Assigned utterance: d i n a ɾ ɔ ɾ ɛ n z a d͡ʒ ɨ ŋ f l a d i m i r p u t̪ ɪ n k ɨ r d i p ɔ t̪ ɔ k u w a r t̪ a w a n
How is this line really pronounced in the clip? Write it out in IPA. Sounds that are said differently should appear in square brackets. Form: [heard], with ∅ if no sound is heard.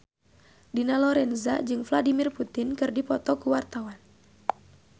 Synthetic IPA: d i n a [l] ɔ ɾ ɛ n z a d͡ʒ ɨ ŋ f l a d i m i r p u t̪ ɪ n k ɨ r d i p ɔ t̪ ɔ k u w a r t̪ a w a n